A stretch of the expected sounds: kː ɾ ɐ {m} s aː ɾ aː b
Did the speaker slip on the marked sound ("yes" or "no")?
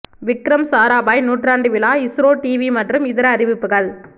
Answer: no